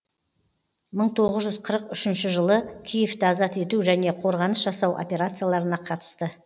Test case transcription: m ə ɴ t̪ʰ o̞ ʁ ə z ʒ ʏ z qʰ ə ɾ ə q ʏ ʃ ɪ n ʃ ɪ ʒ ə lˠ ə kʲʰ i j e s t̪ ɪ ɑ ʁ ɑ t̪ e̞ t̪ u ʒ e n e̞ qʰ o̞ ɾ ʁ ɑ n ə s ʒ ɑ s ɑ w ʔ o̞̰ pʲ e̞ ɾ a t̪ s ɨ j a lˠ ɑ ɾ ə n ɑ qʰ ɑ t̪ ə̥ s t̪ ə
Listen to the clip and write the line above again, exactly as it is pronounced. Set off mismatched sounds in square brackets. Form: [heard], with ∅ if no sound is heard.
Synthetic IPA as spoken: m ə ɴ t̪ʰ o̞ ʁ ə z ʒ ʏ z qʰ ə ɾ ə q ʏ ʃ ɪ n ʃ ɪ ʒ ə lˠ ə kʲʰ i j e [f] t̪ ɪ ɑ [z] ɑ t̪ e̞ t̪ u ʒ [æ] n e̞ qʰ o̞ ɾ ʁ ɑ n ə s ʒ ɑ s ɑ w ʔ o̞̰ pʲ e̞ ɾ a t̪ s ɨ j a lˠ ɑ ɾ ə n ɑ qʰ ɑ t̪ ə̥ s t̪ ə